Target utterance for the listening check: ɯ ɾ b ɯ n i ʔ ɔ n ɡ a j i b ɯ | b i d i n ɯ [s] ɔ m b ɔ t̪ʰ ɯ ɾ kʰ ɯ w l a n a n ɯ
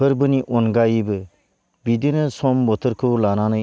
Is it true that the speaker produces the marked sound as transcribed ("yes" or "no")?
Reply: yes